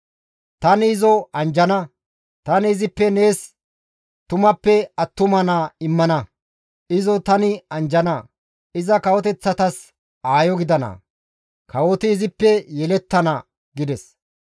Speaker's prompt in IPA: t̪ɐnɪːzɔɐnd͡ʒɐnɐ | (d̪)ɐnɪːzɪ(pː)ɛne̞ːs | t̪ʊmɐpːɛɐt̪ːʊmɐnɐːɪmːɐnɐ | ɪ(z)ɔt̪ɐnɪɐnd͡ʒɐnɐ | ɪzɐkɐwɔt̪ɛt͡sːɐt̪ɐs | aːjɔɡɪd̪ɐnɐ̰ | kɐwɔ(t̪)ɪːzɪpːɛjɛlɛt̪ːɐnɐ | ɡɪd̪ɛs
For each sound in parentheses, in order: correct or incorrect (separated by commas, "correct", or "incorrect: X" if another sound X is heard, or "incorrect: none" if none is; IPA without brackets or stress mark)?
incorrect: t̪, correct, correct, correct